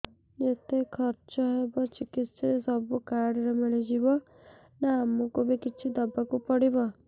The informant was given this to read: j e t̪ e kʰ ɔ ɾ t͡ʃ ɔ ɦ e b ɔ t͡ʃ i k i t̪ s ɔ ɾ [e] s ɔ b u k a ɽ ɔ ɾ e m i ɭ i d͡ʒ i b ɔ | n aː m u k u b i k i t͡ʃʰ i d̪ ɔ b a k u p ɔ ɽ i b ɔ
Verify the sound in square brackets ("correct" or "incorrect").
correct